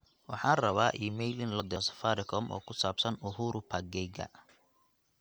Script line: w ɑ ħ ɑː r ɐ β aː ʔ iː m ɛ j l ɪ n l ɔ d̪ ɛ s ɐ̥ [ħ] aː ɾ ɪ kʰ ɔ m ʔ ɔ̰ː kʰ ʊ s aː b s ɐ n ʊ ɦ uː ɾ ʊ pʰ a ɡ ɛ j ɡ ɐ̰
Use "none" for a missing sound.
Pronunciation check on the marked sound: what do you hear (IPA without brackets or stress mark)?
f